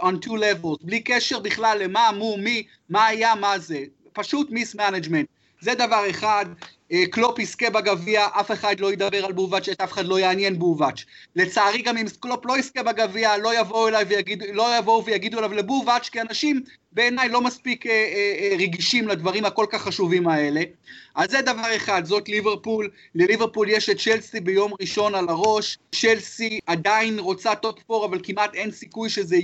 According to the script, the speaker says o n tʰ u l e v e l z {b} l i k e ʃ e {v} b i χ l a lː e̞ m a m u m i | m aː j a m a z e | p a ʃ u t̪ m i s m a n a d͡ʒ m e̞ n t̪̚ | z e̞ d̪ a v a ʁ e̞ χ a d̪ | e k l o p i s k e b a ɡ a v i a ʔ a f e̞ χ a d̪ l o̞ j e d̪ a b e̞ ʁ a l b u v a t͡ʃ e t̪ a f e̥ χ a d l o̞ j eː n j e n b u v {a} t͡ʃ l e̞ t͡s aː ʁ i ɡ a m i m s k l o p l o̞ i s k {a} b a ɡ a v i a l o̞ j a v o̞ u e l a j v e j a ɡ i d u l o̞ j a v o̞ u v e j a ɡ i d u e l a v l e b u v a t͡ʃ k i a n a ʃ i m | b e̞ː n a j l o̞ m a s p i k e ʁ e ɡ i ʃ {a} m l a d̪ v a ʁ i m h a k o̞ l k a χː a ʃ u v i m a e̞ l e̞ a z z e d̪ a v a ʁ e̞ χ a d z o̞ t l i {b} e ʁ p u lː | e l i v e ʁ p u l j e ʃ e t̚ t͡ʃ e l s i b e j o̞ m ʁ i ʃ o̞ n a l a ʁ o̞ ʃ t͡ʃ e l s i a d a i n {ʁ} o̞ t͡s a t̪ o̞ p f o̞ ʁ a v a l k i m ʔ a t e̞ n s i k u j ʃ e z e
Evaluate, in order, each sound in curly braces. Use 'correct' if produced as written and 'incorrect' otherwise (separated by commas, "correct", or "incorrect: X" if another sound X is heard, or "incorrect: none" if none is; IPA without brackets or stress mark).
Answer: correct, incorrect: ʁ, correct, incorrect: e, incorrect: i, incorrect: v, correct